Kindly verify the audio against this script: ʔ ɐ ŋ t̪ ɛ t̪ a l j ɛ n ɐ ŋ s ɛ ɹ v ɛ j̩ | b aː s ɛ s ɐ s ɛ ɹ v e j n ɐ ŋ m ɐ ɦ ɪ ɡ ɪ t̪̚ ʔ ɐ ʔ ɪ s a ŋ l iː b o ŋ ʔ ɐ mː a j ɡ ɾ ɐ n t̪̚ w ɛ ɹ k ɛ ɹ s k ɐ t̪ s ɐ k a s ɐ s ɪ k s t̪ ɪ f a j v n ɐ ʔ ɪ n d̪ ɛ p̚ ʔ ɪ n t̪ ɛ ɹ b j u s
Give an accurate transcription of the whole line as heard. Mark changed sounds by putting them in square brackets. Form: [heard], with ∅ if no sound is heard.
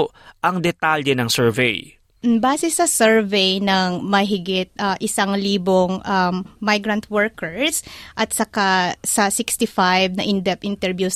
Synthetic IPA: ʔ ɐ ŋ [d̪] ɛ t̪ a l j ɛ n ɐ ŋ s ɛ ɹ v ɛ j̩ | b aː s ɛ s ɐ s ɛ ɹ v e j n ɐ ŋ m ɐ ɦ ɪ ɡ ɪ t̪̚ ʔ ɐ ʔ ɪ s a ŋ l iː b o ŋ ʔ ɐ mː a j ɡ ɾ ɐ n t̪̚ w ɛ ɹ k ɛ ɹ s [ʔ] ɐ t̪ s ɐ k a s ɐ s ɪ k s t̪ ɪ f a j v n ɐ ʔ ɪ n d̪ ɛ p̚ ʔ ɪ n t̪ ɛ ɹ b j u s